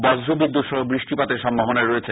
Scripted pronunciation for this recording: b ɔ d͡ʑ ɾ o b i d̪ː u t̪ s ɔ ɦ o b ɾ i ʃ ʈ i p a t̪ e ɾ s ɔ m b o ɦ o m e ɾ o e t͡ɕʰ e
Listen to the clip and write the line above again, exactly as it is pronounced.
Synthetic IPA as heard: b ɔ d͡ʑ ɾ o b i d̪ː u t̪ ʃ ɔ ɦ o b ɾ i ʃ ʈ i p a t̪ e ɾ ʃ ɔ m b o ɦ o n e ɾ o e t͡ɕʰ e